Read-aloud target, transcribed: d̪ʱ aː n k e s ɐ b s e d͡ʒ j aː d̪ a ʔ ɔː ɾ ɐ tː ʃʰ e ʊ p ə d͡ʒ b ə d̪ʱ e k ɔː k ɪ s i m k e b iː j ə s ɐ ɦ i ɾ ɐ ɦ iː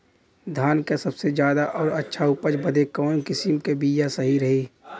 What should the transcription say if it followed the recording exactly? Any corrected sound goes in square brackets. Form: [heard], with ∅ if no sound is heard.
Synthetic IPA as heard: d̪ʱ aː n k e s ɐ b s e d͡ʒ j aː d̪ a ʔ ɔː ɾ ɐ tː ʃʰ [a] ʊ p ə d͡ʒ b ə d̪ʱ e k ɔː k ɪ s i m k e b iː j [a] s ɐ ɦ i ɾ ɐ ɦ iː